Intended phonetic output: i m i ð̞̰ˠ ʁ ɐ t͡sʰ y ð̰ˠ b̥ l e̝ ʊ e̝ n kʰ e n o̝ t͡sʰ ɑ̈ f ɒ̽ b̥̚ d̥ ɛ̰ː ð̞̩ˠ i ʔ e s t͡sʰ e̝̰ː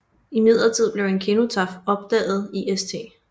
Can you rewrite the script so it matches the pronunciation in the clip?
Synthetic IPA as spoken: i m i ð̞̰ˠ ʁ ɐ t͡sʰ i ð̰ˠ b̥ l e̝ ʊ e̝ n kʰ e n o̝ t͡sʰ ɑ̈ f ɒ̽ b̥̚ d̥ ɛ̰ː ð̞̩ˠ i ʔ e s t͡sʰ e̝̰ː